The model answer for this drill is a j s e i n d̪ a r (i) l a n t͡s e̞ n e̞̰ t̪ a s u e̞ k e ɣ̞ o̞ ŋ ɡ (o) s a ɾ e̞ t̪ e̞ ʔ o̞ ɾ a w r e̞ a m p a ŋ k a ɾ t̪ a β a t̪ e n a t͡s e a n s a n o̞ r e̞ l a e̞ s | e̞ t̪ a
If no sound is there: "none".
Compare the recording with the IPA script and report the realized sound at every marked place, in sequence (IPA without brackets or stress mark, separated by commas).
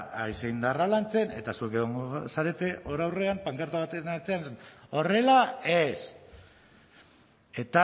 a, o